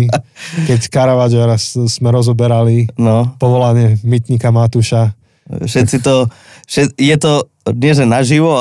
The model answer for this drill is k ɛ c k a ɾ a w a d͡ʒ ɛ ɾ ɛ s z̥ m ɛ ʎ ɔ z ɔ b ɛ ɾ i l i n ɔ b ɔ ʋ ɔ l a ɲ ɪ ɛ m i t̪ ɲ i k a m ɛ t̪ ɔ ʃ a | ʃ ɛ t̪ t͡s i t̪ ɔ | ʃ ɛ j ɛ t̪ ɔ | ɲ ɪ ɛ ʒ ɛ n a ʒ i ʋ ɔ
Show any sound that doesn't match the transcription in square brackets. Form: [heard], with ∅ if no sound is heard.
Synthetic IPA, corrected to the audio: k ɛ c k a ɾ a [ʋ] a d͡ʒ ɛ ɾ [a] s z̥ m ɛ [ɾ] ɔ z ɔ b ɛ ɾ [a] l i n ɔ [p] ɔ ʋ ɔ l a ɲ ɪ ɛ m i t̪ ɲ i k a m [a] t̪ [u] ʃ a | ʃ ɛ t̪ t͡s i t̪ ɔ | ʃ ɛ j ɛ t̪ ɔ | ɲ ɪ ɛ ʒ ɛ n a ʒ i ʋ ɔ